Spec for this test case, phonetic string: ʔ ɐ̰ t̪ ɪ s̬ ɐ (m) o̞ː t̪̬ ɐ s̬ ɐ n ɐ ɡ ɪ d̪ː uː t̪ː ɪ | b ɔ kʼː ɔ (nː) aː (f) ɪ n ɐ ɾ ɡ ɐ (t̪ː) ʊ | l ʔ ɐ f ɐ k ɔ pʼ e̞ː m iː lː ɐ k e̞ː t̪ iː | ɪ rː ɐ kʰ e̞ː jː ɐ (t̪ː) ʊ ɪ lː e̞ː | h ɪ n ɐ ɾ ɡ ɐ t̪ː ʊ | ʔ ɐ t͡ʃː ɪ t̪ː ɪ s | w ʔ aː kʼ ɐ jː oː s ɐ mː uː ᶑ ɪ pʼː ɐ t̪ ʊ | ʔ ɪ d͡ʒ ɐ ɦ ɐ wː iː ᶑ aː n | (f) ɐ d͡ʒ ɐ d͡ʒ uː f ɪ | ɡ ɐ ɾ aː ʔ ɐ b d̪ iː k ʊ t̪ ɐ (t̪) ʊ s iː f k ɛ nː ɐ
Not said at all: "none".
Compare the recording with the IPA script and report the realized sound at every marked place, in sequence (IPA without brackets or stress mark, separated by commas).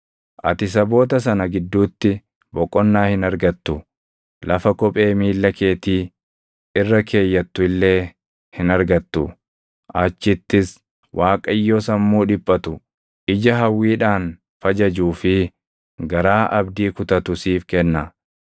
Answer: b, nː, h, t̪ː, t̪ː, f, t̪